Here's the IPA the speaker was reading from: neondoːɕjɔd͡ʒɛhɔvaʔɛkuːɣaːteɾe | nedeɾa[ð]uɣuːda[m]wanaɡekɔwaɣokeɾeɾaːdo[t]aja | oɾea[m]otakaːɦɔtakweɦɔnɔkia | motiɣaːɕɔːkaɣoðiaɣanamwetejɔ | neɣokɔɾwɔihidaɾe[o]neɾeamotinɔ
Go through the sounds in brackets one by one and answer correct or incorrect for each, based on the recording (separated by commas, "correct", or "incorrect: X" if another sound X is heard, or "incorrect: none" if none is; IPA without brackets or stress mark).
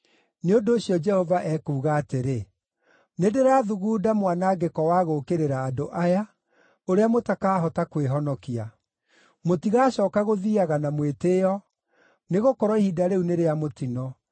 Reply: correct, correct, incorrect: ʔ, correct, incorrect: u